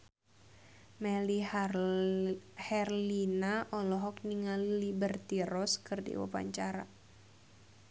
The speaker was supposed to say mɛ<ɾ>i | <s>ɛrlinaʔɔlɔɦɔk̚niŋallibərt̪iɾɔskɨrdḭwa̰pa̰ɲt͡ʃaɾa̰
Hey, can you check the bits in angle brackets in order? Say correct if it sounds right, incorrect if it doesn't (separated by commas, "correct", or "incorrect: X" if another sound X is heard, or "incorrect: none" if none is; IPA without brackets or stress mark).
incorrect: l, incorrect: h